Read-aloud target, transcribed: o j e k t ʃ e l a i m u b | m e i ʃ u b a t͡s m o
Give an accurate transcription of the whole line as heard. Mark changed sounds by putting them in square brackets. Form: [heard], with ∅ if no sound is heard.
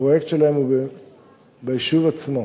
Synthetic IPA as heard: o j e k t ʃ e l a [e] m u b | [b] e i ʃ u [v] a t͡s m o

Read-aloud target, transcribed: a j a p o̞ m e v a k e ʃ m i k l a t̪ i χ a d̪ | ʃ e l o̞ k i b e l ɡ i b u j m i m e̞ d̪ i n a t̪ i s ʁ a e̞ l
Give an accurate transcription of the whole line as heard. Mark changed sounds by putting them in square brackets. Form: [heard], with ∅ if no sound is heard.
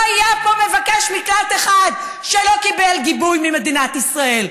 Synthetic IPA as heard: a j a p o̞ m e v a k e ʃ m i k l a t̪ [e] χ a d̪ | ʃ e l o̞ k i b e l ɡ i b u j m i m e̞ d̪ i n a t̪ i s ʁ a e̞ l

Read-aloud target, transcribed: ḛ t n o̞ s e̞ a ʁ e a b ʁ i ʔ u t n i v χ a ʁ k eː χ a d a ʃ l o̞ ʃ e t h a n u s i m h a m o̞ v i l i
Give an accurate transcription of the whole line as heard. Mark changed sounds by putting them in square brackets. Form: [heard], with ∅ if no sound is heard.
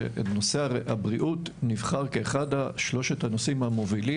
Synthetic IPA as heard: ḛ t n o̞ s e̞ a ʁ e a b ʁ i ʔ u t n i v χ a ʁ k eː χ a d a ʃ l o̞ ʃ e t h a n [o] s i m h a m o̞ v i l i

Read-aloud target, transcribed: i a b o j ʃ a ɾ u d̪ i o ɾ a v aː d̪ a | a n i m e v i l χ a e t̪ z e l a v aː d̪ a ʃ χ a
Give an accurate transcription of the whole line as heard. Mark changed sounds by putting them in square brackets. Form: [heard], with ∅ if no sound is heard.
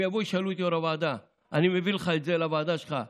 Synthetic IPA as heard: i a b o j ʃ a [l] u [t̪] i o ɾ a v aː d̪ a | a n i m e v i l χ a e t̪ z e l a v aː d̪ a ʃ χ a

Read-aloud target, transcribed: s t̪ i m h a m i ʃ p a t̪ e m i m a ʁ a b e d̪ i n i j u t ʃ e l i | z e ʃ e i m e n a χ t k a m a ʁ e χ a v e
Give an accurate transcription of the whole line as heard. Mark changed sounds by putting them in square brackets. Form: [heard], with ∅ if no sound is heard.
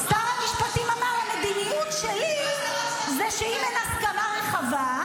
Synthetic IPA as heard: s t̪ [a] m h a m i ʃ p a t̪ [i] m [a] m a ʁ a [m] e d̪ i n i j u t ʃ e l i | z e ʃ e i m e n a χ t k a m a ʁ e χ a v [a]

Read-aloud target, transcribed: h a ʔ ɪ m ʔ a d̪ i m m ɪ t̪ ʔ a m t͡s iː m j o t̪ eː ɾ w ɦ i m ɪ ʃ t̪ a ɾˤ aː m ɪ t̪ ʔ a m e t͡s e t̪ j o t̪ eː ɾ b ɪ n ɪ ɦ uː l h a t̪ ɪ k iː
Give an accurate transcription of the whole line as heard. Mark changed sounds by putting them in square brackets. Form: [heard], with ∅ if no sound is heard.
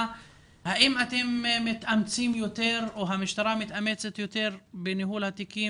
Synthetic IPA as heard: h a ʔ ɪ m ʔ a [t̪] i m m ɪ t̪ ʔ a m t͡s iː m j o t̪ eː ɾ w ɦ [a] m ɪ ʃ t̪ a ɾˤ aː m ɪ t̪ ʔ a m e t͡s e t̪ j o t̪ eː ɾ b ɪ n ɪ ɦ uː l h a t̪ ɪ k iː

